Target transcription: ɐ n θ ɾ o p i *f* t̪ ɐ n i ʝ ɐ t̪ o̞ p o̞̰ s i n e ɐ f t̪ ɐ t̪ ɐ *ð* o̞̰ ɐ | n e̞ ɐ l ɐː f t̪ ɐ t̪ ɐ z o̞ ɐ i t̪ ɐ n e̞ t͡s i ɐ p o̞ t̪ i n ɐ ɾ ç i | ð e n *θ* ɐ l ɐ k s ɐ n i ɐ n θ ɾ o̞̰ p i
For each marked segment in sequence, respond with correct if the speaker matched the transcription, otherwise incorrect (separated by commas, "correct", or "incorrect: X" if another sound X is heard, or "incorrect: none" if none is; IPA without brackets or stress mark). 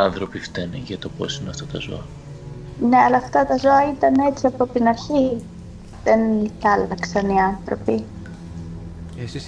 correct, incorrect: z, correct